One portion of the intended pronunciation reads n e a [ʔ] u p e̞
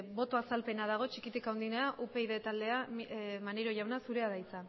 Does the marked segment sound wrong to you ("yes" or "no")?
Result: no